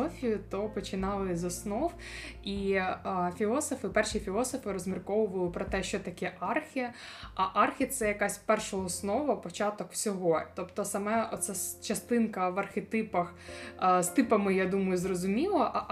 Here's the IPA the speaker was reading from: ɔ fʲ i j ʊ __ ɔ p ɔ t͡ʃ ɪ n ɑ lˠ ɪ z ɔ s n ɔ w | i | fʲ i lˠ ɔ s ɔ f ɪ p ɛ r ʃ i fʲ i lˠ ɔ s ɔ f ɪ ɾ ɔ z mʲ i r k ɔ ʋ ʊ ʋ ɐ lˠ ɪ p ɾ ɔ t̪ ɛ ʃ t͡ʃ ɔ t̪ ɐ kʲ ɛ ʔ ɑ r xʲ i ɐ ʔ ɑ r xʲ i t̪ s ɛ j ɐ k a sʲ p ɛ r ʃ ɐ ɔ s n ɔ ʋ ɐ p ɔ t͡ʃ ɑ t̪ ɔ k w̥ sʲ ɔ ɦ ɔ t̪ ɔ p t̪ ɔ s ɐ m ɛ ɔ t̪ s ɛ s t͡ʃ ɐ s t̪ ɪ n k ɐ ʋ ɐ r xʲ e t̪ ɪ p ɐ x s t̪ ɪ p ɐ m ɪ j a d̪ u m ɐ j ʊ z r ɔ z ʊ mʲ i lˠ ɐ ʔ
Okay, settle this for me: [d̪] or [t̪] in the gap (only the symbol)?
t̪